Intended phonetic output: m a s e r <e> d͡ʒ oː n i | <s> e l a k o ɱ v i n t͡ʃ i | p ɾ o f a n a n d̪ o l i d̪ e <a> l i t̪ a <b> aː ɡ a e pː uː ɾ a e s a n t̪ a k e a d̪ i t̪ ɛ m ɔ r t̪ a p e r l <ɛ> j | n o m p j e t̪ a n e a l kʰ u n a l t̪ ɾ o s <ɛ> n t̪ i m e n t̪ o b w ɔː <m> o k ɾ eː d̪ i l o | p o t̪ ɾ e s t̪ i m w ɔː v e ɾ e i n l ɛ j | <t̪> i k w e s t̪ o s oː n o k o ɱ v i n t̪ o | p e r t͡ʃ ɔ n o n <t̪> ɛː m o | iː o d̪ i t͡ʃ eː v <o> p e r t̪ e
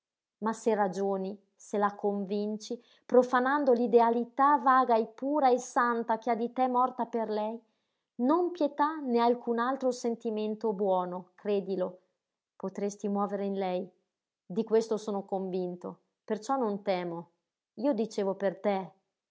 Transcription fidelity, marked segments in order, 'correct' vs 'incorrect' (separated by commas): incorrect, correct, correct, incorrect, correct, incorrect, incorrect, incorrect, correct, correct